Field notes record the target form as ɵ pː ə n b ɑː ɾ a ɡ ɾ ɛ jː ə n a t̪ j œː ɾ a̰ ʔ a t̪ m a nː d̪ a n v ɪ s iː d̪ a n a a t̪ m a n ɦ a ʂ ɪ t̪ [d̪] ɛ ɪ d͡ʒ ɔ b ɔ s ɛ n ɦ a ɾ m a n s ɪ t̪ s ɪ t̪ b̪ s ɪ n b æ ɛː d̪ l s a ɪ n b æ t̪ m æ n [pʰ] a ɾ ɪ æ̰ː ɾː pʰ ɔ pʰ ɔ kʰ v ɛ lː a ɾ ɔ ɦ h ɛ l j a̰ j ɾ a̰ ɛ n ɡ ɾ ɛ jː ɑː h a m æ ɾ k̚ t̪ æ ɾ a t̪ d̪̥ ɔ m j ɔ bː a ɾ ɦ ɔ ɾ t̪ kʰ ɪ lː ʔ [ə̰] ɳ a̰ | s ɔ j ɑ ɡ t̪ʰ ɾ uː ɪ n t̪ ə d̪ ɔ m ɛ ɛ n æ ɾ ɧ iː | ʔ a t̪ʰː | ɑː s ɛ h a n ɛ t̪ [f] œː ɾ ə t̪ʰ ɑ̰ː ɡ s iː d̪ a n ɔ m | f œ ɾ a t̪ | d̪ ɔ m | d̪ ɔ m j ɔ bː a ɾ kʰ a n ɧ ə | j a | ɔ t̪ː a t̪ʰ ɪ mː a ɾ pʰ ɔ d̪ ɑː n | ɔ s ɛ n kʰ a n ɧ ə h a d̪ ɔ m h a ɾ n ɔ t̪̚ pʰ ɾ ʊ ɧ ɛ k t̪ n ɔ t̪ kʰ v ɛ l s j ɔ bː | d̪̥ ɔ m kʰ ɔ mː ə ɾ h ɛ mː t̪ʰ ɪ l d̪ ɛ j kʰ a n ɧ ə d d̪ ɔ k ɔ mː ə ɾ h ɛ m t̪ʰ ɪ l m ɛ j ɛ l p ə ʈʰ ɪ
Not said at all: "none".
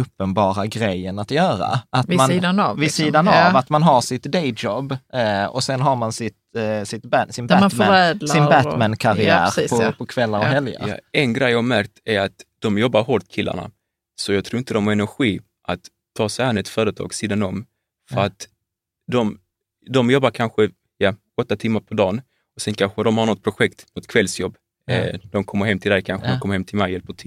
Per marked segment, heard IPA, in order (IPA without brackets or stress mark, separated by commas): d̪, kʰ, a̰, f